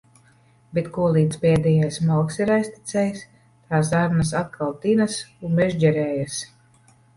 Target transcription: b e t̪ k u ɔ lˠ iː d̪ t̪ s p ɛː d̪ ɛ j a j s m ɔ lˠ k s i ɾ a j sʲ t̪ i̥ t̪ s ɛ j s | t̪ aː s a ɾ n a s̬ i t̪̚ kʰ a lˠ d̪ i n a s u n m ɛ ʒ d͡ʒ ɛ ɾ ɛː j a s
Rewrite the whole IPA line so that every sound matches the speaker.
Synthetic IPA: b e t̪ k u ɔ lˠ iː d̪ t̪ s p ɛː d̪ ɛ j a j s m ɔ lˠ k s i ɾ a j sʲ t̪ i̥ t̪ s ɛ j s | t̪ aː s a ɾ n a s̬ a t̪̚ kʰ a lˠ t̪ i n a s u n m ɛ ʒ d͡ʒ ɛ ɾ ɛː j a s